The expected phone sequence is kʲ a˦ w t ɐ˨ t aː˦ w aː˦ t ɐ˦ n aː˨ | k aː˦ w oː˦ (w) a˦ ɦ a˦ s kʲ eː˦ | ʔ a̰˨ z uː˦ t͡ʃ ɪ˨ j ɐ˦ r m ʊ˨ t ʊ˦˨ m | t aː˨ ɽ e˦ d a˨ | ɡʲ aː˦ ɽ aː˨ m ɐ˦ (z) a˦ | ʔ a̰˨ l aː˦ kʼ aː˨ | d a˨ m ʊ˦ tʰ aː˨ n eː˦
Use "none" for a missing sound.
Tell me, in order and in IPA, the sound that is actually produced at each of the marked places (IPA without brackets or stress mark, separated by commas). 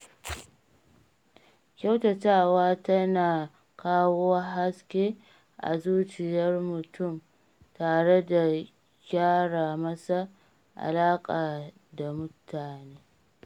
w, s